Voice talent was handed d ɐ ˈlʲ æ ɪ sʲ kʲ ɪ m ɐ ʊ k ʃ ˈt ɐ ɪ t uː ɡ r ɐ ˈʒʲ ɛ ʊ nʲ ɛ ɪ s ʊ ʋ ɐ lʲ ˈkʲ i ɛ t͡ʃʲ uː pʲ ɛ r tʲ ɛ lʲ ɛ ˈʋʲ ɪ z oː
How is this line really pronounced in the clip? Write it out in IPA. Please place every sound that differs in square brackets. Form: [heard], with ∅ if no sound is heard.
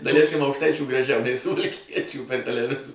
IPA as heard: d ɐ ˈlʲ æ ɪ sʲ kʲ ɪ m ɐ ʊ k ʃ ˈt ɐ ɪ [t͡ʃʲ] uː ɡ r ɐ ˈʒʲ ɛ ʊ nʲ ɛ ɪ s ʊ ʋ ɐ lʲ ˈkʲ i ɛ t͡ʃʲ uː pʲ ɛ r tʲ ɛ lʲ ɛ ˈʋʲ ɪ z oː